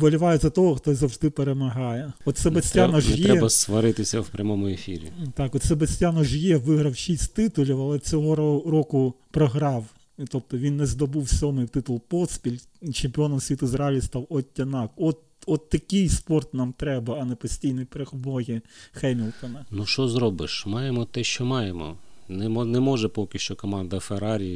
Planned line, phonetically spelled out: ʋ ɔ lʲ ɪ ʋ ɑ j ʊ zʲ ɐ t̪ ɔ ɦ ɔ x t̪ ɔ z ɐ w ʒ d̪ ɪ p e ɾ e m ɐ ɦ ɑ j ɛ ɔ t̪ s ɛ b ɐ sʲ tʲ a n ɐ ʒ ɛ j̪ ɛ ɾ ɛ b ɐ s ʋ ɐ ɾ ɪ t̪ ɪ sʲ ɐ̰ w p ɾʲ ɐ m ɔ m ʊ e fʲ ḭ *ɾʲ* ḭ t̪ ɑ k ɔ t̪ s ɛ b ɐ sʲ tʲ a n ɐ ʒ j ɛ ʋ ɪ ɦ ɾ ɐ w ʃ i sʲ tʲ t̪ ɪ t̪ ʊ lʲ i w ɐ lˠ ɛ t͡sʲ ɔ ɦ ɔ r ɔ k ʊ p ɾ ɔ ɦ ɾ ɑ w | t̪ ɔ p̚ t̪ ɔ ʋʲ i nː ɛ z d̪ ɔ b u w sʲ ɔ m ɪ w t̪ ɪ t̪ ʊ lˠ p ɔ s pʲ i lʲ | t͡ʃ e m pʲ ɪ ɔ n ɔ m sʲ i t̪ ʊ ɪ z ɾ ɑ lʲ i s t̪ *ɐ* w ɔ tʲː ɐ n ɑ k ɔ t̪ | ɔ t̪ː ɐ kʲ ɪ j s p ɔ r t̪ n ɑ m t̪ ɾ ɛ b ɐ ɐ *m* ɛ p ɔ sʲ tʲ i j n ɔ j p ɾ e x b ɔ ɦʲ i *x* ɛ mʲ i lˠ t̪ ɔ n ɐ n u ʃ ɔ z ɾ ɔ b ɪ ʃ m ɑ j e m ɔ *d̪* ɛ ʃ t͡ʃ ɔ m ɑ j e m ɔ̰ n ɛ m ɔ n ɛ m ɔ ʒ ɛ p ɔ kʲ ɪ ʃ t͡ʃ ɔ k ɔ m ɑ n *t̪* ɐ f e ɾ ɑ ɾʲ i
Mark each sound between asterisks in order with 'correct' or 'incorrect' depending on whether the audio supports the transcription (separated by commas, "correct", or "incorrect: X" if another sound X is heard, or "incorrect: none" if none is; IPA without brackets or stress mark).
correct, incorrect: ɑ, incorrect: n, correct, incorrect: t̪, incorrect: d̪